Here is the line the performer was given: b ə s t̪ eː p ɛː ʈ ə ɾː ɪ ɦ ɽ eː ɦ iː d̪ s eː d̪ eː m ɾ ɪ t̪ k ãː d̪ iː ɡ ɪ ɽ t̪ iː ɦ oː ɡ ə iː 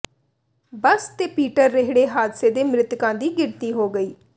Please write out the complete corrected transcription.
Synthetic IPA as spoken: b ə s t̪ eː p iː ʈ ə ɾː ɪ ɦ ɽ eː ɦ aː d̪ s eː d̪ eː m ɾ ɪ t̪ k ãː d̪ iː ɡ ɪ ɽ t̪ iː ɦ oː ɡ ə iː